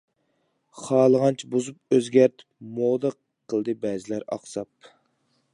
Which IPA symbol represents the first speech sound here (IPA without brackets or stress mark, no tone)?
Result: χ